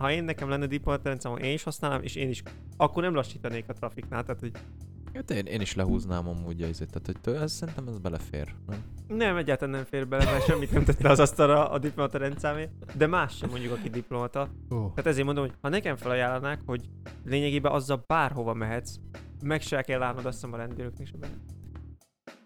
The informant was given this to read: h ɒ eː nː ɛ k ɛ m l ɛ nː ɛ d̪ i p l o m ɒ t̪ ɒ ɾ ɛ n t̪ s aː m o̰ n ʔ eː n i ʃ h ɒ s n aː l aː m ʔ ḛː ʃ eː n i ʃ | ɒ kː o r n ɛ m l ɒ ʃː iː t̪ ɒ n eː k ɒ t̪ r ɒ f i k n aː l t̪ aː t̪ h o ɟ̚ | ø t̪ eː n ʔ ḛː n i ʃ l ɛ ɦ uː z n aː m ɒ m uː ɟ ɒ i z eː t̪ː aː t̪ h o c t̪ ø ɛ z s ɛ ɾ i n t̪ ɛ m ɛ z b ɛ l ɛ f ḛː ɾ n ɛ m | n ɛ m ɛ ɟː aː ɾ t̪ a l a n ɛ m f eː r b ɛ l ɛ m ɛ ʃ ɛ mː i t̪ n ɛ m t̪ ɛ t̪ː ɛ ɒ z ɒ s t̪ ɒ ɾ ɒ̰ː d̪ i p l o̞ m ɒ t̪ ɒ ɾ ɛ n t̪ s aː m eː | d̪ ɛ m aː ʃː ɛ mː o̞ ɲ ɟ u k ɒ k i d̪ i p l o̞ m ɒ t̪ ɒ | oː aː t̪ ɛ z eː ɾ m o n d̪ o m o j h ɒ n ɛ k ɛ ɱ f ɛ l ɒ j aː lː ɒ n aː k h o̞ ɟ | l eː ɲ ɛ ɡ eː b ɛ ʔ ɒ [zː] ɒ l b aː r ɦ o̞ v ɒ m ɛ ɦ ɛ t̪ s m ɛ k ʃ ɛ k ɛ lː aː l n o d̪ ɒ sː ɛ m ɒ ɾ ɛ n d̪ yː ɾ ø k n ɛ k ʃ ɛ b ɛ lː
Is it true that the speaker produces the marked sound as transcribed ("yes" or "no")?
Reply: yes